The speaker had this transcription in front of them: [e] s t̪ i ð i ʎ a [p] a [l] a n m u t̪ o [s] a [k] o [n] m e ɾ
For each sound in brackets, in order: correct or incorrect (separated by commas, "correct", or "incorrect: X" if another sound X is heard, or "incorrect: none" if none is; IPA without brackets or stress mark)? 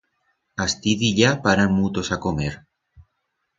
incorrect: a, correct, incorrect: ɾ, correct, correct, incorrect: none